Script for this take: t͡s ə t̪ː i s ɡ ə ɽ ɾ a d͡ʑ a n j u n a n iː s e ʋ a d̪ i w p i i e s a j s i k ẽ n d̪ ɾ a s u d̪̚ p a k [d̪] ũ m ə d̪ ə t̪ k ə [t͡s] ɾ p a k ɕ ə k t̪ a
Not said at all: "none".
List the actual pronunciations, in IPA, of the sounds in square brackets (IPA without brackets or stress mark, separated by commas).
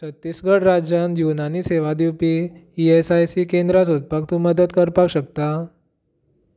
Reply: t̪, none